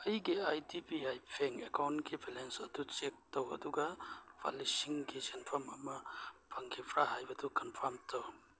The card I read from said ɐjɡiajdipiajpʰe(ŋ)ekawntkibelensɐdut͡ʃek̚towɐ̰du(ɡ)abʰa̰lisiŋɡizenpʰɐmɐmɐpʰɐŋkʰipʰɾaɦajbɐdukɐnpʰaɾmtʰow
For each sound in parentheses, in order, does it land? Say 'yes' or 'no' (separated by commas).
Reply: yes, yes